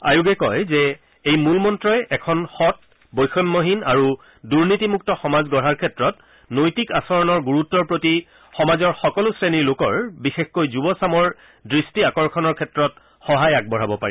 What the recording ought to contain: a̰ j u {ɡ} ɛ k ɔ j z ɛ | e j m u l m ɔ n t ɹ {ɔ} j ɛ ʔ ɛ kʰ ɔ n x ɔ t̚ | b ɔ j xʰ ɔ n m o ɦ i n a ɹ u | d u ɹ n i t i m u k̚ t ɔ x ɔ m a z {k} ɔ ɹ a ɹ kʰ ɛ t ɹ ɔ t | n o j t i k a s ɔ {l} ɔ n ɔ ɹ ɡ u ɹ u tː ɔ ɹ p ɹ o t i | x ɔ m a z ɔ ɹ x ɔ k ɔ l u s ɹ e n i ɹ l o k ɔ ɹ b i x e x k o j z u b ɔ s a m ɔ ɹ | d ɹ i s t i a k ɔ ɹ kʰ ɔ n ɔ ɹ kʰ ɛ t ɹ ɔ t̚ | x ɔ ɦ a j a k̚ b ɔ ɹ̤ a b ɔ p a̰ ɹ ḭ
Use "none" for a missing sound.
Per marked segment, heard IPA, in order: ɡ, ɔ, ɡ, ɹ

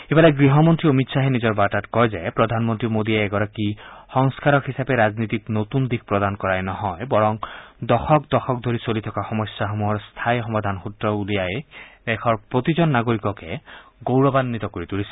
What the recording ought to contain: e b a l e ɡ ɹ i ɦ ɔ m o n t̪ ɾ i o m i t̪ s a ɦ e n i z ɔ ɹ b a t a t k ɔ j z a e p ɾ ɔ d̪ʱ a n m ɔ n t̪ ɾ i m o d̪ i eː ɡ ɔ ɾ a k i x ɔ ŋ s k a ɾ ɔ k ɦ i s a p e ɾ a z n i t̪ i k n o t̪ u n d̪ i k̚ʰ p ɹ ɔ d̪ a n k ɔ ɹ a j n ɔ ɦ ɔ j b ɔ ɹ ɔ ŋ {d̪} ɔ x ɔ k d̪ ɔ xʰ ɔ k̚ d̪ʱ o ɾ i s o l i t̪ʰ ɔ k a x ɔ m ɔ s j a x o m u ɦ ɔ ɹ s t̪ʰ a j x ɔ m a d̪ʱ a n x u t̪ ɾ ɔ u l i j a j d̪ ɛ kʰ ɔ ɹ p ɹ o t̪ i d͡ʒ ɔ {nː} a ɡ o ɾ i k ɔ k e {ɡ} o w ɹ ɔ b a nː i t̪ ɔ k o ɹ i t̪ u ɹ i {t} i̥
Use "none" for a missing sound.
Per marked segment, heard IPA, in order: d̪, nː, ɡ, s

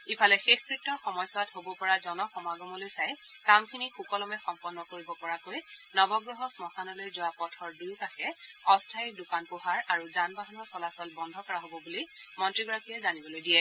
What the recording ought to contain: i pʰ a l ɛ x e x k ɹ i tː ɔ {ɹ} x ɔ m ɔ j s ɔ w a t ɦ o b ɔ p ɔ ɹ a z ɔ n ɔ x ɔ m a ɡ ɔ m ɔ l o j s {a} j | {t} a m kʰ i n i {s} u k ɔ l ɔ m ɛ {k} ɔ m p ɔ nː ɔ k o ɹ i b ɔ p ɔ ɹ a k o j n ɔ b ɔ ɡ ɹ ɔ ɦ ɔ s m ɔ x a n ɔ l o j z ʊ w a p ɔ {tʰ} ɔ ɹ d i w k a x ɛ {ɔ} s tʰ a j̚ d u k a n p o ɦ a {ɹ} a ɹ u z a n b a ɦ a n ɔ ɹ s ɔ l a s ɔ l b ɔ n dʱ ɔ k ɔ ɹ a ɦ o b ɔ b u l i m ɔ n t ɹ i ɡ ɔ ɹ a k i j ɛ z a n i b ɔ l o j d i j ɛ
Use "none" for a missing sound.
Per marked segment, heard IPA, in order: ɹ, a, k, x, x, tʰ, ɔ, ɹ

